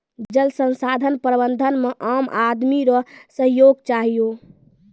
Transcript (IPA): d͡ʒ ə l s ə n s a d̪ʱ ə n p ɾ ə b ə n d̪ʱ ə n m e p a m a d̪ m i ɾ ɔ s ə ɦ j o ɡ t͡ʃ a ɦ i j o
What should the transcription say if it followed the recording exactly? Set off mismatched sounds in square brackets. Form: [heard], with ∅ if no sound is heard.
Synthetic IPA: d͡ʒ ə l s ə n s a d̪ʱ ə n p ɾ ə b ə n d̪ʱ ə n m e [ʔ] a m a d̪ m i ɾ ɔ s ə ɦ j o ɡ t͡ʃ a ɦ i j o

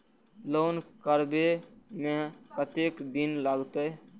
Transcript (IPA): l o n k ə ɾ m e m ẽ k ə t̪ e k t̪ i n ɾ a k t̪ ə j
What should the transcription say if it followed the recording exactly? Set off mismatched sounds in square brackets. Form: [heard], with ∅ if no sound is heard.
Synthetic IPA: l o n k ə ɾ [b] e m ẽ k ə t̪ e k [d̪] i n [l] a [ɡ] t̪ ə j

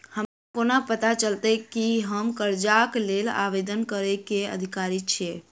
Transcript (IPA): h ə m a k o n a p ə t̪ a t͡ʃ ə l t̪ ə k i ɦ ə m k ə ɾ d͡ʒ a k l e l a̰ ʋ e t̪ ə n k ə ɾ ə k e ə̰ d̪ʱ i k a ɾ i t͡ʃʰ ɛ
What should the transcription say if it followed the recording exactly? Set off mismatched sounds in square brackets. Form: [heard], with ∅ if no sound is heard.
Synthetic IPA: h ə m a k o n a p ə t̪ a t͡ʃ ə l t̪ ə k i ɦ ə m k ə ɾ d͡ʒ a k l e l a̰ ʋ e [d̪] ə n k ə ɾ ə k e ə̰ d̪ʱ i k a ɾ i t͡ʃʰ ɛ

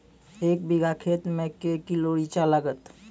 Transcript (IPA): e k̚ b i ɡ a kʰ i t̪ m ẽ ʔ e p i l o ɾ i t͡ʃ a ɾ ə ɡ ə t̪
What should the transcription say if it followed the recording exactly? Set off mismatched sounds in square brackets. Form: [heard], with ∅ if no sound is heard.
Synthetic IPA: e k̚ b i ɡ a kʰ [e] t̪ m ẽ [k] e [k] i l o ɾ i t͡ʃ a [l] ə ɡ ə t̪

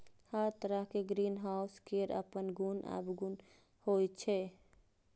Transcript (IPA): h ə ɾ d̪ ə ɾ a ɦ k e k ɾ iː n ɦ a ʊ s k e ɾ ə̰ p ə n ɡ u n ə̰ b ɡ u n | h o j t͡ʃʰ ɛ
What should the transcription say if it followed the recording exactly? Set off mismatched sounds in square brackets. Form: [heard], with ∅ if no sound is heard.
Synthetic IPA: h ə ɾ [t̪] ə ɾ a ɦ k e [ɡ] ɾ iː n ɦ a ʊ s k e ɾ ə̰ p ə n ɡ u n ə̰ b ɡ u n | h o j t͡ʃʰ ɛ

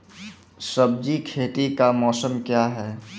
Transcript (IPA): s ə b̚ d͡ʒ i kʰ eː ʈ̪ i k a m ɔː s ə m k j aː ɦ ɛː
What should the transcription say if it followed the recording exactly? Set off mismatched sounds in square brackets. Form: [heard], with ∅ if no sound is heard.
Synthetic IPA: s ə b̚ d͡ʒ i kʰ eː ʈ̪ i k a m ɔː s ə m k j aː ɦ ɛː

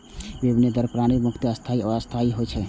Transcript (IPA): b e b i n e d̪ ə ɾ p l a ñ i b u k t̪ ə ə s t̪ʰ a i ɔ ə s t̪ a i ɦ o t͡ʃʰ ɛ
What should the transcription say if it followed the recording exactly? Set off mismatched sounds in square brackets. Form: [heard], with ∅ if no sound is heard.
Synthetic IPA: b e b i n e d̪ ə ɾ p [ɾ] a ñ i [m] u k t̪ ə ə s t̪ʰ a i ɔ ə s [t̪ʰ] a i ɦ o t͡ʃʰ ɛ

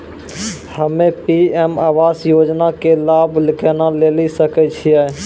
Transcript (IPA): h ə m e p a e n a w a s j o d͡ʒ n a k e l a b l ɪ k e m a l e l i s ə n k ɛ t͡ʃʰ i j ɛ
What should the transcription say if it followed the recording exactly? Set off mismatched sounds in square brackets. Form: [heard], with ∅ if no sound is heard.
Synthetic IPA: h ə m e p [i] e [m] a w a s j o d͡ʒ n a k e l a b l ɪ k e [n] a l e l i s ə [∅] k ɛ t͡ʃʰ i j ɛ

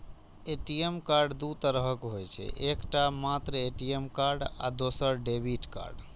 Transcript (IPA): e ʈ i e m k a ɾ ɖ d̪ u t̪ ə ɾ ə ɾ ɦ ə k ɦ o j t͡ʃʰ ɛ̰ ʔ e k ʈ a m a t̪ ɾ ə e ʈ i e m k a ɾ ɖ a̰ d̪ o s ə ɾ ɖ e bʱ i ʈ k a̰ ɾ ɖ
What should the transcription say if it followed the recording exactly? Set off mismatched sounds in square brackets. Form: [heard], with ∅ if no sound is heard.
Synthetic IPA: e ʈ i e m k a ɾ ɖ d̪ u t̪ ə ɾ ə [∅] ɦ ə k ɦ o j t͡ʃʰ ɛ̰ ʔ e k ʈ a m a t̪ ɾ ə e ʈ i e m k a ɾ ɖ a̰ d̪ o s ə ɾ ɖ e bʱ i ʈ k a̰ ɾ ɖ

